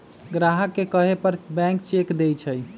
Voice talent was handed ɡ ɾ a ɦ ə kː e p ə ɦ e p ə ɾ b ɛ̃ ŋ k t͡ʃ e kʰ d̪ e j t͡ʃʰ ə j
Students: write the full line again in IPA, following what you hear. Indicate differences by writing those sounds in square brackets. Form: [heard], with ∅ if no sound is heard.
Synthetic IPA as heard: ɡ ɾ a ɦ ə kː e [k] ə ɦ e p ə ɾ b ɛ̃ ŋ k t͡ʃ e [k] d̪ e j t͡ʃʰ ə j